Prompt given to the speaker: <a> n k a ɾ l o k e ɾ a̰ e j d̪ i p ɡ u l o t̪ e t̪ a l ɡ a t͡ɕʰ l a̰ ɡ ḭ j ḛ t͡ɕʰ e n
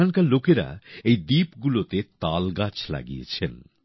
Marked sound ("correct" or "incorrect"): correct